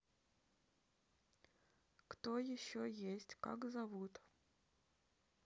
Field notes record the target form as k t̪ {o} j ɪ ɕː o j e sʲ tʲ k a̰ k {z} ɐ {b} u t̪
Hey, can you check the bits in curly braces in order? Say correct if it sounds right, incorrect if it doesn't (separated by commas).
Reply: correct, correct, incorrect